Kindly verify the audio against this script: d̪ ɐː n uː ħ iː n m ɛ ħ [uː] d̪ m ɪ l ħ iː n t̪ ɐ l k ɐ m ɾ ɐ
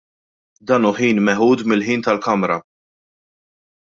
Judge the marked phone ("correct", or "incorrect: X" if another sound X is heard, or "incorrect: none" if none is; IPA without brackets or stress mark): correct